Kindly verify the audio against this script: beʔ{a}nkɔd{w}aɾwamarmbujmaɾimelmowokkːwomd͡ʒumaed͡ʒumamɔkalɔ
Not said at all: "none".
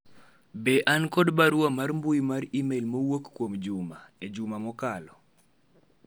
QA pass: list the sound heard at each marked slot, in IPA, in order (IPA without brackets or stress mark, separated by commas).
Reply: a, b